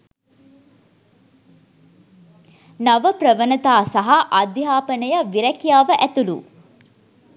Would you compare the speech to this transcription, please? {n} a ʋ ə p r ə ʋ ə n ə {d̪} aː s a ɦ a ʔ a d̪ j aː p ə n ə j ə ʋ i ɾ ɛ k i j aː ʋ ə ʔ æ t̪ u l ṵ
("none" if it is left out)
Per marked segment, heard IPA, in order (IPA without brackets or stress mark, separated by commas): n, t̪